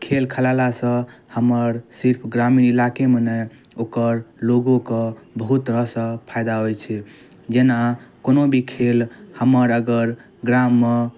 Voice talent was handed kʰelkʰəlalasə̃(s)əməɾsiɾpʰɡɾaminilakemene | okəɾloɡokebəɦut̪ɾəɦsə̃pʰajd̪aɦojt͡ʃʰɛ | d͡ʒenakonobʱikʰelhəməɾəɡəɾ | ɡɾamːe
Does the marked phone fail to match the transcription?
yes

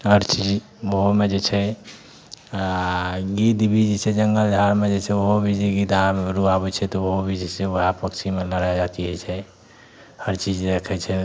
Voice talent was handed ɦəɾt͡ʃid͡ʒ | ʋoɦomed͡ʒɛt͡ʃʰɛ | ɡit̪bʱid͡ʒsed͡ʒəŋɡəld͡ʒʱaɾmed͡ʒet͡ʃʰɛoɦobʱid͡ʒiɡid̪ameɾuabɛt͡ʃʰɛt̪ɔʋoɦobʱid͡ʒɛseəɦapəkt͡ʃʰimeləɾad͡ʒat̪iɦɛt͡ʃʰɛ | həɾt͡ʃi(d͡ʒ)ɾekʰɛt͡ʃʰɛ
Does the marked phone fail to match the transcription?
no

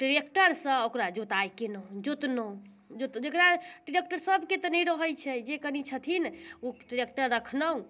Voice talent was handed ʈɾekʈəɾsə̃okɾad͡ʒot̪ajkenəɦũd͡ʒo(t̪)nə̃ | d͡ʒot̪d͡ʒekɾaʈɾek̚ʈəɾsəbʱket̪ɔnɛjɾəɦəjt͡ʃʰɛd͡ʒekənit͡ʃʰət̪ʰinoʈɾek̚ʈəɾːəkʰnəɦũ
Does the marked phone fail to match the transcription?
no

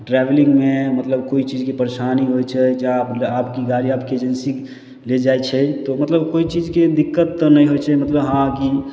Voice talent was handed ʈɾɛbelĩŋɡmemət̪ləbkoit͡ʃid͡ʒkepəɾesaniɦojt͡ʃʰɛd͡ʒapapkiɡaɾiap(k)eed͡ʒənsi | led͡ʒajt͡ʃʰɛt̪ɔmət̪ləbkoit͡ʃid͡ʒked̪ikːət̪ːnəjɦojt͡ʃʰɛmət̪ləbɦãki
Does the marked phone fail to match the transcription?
no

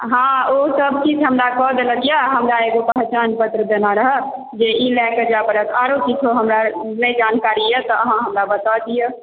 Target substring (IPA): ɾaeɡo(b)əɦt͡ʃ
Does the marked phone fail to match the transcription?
yes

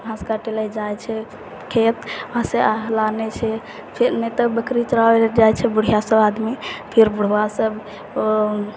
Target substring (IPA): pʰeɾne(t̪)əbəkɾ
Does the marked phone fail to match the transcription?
no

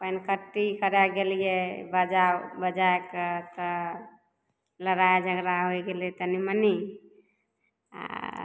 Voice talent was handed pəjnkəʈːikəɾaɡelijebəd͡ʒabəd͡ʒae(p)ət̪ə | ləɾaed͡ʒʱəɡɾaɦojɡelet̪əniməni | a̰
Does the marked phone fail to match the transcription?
yes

